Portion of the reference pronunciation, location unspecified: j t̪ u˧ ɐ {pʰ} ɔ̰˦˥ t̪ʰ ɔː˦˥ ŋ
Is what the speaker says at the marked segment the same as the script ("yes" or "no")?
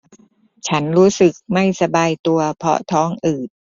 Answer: yes